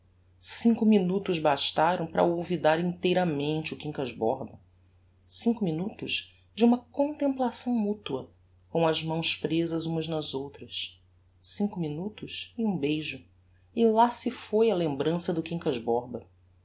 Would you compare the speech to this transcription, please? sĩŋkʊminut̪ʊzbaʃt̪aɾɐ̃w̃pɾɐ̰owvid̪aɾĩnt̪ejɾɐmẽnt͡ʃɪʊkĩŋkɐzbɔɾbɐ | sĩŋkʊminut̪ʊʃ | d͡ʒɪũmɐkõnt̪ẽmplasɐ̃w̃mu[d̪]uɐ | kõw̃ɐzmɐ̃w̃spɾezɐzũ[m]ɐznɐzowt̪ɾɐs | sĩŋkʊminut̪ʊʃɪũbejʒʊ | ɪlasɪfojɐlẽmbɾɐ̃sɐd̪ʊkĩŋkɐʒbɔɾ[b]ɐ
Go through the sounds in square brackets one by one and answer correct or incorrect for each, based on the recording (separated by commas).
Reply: incorrect, correct, correct